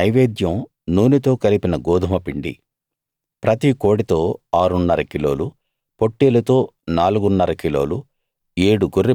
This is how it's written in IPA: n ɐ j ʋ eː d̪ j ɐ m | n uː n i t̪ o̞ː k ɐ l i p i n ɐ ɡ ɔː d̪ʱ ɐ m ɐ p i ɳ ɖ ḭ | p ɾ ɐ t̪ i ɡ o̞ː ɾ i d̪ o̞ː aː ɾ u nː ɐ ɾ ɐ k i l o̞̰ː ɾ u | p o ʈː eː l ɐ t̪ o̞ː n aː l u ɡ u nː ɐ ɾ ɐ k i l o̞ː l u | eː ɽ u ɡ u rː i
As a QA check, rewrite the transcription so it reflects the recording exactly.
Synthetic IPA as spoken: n ɐ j ʋ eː d̪ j ɐ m | n uː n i t̪ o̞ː k ɐ l i p i n ɐ ɡ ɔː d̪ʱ ɐ m ɐ p i ɳ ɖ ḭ | p ɾ ɐ t̪ i k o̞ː ɽ i t̪ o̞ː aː ɾ u nː ɐ ɾ ɐ k i l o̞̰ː l u | p o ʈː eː l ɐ t̪ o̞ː n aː l u ɡ u nː ɐ ɾ ɐ k i l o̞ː l u | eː ɽ u ɡ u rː i